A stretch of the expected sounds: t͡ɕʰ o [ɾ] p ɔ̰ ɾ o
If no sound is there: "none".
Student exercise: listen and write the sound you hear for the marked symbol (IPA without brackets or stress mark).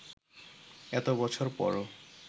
ɾ